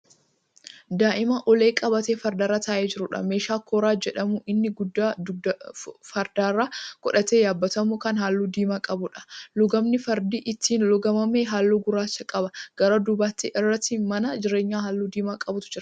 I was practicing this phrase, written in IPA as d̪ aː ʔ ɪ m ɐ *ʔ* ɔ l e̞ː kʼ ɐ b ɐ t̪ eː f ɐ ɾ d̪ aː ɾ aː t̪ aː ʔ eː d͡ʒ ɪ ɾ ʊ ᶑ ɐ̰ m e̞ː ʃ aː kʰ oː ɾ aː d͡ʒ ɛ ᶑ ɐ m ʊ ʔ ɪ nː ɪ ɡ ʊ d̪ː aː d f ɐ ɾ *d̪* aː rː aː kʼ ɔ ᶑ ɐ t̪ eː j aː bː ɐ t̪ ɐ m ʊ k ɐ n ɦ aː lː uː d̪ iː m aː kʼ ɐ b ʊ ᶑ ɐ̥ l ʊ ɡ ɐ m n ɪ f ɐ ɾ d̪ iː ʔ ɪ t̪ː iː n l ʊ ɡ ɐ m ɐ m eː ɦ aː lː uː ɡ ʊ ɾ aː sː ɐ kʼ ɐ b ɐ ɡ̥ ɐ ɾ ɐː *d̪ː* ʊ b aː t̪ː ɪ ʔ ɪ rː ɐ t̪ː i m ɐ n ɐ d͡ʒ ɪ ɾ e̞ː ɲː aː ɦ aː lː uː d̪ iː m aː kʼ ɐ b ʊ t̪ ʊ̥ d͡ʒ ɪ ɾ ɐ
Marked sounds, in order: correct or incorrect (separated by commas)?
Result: correct, correct, incorrect